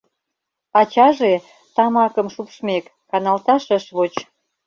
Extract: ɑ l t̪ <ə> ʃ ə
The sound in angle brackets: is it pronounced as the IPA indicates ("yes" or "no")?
no